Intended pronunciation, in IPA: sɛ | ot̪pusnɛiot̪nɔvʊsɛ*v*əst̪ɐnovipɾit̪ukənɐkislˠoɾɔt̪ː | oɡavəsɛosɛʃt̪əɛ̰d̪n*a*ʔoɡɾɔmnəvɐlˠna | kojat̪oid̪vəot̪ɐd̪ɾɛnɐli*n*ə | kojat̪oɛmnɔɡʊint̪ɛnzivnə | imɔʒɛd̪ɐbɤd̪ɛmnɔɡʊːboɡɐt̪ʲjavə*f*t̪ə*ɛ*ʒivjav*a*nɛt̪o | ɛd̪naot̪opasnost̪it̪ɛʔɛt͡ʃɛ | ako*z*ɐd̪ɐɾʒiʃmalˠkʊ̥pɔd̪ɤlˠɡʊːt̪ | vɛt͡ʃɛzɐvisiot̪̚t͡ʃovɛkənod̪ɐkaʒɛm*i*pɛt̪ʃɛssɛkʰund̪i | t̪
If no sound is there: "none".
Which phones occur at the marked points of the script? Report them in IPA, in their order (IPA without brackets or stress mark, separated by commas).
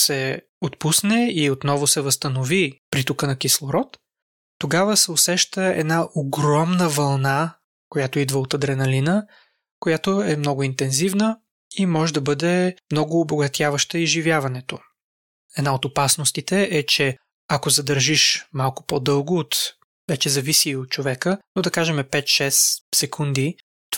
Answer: v, a, n, ʃ, i, ɐ, z, ɛ